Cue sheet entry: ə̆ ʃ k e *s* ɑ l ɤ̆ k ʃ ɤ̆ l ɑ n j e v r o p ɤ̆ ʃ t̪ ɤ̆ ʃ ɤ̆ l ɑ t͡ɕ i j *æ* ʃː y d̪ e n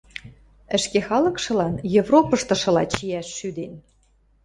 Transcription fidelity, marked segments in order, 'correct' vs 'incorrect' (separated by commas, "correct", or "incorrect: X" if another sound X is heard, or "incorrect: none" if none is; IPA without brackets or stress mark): incorrect: x, correct